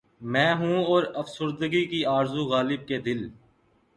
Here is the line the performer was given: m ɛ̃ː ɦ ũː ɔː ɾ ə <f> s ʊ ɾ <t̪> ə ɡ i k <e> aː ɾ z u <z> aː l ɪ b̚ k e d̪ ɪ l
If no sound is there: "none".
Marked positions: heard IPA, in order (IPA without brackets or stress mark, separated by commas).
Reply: f, d̪, i, ɣ